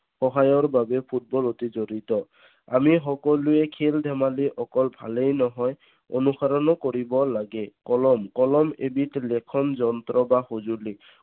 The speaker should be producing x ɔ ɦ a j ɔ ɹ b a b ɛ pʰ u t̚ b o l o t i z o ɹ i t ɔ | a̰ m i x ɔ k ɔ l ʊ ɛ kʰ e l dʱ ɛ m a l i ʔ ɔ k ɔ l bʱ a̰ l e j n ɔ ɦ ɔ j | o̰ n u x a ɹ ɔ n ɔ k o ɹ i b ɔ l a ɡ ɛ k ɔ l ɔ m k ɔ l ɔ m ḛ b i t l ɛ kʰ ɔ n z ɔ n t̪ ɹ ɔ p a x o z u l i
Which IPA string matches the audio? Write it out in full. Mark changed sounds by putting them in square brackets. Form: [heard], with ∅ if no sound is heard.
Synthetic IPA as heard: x ɔ ɦ a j ɔ ɹ b a b ɛ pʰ u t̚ b [ɔ] l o t i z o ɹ i t ɔ | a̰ m i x ɔ k ɔ l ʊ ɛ kʰ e l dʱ ɛ m a l i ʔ ɔ k ɔ l bʱ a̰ l e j n ɔ ɦ ɔ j | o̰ n u x a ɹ ɔ n ɔ k o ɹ i b ɔ l a ɡ ɛ k ɔ l ɔ m k ɔ l ɔ m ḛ b i t l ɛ kʰ ɔ n z ɔ n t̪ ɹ ɔ [b] a x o z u l i